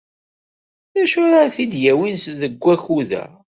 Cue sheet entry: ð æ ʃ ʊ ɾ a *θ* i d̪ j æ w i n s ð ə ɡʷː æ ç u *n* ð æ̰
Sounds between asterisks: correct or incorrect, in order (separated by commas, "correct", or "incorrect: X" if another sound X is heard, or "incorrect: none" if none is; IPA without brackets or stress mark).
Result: correct, incorrect: none